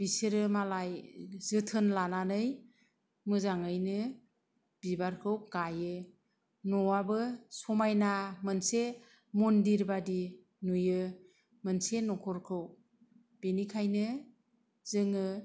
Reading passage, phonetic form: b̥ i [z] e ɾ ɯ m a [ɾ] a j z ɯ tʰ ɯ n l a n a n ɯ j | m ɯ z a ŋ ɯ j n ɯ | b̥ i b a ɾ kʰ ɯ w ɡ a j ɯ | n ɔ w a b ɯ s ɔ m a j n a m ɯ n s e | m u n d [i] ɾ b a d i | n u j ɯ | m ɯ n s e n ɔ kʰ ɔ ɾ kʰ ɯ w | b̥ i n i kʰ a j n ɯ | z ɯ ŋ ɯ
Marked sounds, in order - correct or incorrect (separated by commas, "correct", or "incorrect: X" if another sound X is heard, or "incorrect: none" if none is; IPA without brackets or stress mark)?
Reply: incorrect: s, incorrect: l, correct